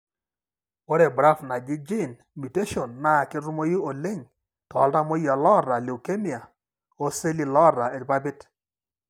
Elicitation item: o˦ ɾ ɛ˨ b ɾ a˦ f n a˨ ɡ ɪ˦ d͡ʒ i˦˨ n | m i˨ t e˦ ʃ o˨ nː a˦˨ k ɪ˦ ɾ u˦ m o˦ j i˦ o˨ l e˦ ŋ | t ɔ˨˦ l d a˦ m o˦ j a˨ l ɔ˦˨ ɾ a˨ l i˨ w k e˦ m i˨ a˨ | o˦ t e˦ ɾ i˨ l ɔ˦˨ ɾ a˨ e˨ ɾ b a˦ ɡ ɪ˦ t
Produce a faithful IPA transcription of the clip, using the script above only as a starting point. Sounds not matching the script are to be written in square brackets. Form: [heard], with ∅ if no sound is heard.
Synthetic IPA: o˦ ɾ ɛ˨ b ɾ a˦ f n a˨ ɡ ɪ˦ d͡ʒ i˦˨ n | m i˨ t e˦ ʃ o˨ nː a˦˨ k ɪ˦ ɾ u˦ m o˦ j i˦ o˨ l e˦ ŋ | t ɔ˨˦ l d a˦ m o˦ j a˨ l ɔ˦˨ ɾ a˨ l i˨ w k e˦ m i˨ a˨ | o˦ [s] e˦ [l] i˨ l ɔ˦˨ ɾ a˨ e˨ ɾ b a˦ [b] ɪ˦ t